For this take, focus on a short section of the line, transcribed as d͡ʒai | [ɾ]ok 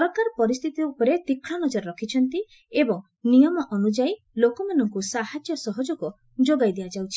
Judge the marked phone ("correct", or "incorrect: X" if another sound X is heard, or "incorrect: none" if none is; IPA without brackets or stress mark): incorrect: l